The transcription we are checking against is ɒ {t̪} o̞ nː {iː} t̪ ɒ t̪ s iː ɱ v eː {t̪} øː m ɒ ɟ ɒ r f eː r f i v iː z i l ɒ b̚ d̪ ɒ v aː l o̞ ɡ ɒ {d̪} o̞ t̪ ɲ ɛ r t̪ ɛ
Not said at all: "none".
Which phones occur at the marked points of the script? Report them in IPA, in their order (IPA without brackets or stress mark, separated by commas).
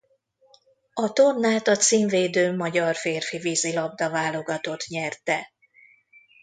t̪, aː, d̪, t̪